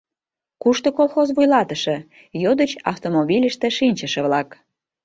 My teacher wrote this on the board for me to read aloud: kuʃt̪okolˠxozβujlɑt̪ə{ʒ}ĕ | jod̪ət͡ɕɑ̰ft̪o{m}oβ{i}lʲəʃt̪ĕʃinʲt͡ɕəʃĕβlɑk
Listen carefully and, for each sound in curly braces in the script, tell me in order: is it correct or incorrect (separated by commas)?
incorrect, correct, correct